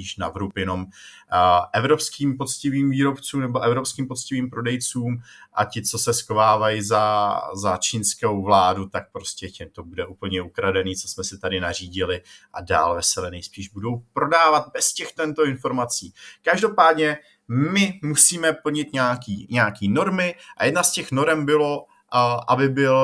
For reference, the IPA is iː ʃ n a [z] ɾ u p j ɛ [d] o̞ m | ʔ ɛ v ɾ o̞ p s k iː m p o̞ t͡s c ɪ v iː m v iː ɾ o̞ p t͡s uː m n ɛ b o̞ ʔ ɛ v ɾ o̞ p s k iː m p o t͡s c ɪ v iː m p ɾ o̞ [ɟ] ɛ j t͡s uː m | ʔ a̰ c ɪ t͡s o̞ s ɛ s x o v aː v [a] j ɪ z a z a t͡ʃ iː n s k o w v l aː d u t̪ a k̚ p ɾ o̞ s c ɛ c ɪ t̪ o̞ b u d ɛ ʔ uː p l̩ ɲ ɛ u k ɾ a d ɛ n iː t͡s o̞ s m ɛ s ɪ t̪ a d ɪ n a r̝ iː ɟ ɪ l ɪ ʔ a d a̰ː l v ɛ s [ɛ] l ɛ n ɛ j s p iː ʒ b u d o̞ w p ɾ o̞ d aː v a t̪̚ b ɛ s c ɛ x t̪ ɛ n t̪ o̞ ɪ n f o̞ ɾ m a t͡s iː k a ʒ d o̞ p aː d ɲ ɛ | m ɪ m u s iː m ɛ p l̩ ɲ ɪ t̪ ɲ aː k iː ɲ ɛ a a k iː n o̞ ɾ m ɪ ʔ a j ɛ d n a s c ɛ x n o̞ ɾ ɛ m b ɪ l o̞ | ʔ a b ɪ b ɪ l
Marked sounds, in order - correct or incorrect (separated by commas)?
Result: incorrect, incorrect, incorrect, correct, correct